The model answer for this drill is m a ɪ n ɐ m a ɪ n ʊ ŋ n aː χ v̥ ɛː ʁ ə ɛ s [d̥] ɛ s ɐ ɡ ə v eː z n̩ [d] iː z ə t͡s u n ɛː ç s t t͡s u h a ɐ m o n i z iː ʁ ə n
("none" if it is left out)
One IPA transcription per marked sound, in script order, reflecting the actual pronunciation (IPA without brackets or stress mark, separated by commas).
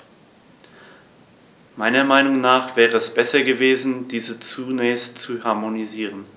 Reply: b̥, d